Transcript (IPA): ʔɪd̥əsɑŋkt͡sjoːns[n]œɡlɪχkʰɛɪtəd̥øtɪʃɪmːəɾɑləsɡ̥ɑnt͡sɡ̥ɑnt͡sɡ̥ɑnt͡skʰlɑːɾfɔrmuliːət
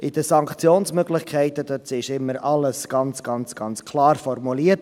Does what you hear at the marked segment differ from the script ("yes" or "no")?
yes